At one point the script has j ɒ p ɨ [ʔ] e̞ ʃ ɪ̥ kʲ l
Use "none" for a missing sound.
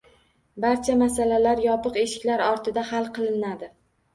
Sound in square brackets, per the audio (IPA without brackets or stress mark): q